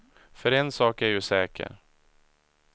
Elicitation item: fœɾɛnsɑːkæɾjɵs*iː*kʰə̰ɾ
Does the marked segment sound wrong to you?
yes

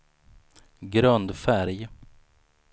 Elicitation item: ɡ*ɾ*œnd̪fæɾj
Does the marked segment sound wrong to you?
no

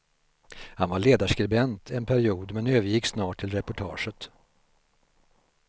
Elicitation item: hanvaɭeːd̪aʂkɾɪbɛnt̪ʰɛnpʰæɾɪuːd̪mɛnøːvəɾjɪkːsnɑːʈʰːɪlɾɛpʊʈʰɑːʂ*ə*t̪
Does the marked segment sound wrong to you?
no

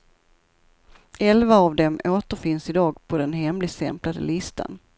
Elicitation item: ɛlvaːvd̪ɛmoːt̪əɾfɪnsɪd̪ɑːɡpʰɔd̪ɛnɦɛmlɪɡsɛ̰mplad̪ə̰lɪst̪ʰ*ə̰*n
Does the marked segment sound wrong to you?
yes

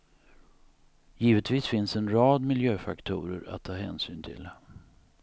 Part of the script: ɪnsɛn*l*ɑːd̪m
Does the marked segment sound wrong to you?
yes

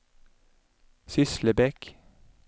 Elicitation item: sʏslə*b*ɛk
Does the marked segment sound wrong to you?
no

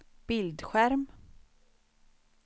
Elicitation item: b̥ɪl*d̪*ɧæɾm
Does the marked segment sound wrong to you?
no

